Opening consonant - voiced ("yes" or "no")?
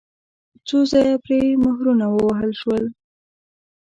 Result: no